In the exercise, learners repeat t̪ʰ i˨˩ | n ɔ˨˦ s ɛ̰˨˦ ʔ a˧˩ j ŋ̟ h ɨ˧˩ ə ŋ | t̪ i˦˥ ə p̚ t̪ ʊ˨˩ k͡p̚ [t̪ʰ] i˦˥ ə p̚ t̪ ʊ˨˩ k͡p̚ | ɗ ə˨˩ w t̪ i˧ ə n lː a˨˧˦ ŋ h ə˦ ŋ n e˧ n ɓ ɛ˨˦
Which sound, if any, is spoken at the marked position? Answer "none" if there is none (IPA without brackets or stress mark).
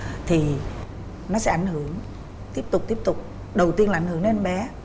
t̪